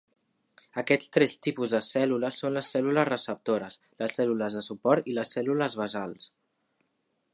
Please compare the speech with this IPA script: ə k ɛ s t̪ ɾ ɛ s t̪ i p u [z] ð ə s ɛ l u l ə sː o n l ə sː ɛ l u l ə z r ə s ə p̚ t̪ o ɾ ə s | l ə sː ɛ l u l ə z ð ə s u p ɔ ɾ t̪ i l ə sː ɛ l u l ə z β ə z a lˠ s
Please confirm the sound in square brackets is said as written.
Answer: yes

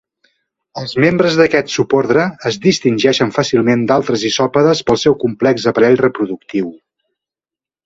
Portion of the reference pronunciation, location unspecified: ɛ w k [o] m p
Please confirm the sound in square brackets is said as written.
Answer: no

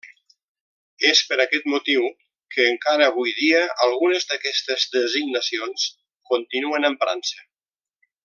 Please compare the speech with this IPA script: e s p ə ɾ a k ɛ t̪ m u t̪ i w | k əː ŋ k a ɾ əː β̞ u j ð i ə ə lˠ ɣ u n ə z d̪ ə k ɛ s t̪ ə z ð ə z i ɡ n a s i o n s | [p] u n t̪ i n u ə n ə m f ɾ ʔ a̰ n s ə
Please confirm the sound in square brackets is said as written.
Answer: no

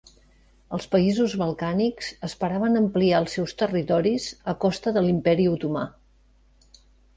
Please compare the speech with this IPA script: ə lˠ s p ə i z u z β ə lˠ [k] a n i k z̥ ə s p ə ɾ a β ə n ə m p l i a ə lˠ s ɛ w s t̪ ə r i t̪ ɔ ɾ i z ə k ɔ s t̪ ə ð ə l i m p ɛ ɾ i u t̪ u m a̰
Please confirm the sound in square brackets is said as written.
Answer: yes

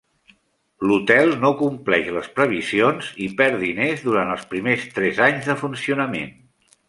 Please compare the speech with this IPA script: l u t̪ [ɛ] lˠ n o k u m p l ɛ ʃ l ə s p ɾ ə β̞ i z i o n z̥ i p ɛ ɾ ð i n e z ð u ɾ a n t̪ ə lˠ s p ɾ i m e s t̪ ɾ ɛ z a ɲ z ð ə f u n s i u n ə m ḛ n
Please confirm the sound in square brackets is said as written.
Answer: yes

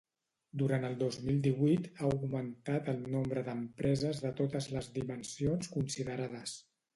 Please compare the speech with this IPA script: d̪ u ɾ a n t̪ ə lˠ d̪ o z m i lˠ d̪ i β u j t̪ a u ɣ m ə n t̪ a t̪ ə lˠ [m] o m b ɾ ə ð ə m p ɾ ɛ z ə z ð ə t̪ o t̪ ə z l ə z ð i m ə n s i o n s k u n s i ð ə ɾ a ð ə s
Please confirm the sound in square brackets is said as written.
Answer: no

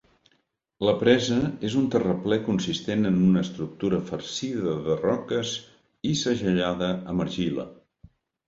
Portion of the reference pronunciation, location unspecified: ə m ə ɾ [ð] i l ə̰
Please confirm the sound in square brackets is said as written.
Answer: no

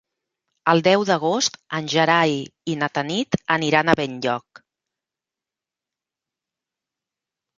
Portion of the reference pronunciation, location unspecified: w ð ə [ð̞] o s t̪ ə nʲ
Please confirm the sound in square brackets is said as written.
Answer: no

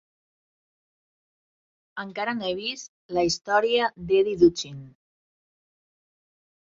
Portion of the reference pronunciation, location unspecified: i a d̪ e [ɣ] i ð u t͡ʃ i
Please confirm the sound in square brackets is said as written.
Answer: no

